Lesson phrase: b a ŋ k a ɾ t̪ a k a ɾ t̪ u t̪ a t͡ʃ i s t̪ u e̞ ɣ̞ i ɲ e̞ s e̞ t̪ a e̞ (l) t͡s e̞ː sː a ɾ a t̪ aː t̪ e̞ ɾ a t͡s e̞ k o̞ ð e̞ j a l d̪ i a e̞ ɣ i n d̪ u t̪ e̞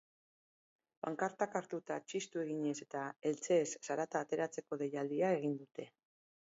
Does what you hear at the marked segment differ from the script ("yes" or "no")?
no